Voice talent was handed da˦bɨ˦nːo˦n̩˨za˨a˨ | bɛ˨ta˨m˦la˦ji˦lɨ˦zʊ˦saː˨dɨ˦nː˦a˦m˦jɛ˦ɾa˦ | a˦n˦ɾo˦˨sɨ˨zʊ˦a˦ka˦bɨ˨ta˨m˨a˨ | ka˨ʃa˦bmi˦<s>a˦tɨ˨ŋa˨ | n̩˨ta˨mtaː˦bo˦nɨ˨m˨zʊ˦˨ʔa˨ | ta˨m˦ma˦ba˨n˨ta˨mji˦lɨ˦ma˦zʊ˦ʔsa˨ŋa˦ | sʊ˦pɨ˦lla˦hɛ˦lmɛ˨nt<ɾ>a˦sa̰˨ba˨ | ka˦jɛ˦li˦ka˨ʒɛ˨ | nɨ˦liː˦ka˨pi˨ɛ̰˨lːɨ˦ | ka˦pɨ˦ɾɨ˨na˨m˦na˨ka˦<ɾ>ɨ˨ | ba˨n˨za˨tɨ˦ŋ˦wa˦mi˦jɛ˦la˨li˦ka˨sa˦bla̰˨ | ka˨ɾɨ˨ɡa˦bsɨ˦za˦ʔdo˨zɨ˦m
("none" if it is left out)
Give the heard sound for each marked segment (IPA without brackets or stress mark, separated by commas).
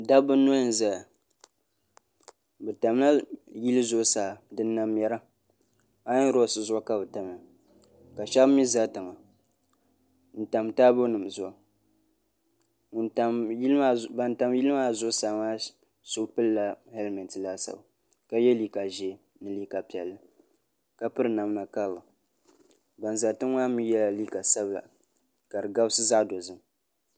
z, l, l